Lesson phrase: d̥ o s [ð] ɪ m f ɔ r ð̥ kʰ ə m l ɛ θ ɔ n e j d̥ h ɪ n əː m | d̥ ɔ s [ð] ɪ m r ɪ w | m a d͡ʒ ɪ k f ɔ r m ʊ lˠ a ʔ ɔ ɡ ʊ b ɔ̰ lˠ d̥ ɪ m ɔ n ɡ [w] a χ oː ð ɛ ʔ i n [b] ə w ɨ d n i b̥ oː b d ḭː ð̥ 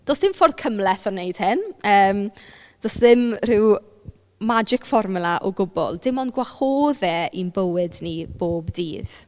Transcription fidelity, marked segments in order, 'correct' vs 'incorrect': correct, correct, correct, correct

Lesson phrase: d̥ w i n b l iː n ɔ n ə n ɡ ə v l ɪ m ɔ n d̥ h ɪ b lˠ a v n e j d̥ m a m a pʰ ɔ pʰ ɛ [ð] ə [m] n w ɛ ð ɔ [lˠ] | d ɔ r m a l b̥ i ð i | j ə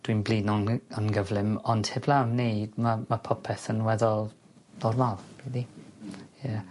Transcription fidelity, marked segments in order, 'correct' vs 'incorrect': incorrect: θ, incorrect: none, correct

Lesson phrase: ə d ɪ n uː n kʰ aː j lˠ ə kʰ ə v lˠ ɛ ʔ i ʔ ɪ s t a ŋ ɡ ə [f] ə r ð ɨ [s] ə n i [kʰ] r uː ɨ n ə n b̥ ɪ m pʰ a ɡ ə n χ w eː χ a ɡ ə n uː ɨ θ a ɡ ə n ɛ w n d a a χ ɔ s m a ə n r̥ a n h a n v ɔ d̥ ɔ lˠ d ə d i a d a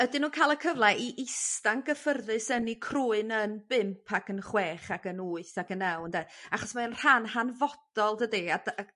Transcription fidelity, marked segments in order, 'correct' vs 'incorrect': correct, correct, correct

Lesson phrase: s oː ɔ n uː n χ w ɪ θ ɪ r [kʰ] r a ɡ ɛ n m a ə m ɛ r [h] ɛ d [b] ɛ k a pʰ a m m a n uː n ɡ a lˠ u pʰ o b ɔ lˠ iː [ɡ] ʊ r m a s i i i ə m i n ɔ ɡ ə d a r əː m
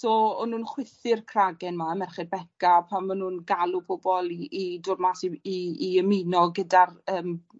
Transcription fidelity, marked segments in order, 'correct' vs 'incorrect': correct, incorrect: χ, correct, incorrect: d

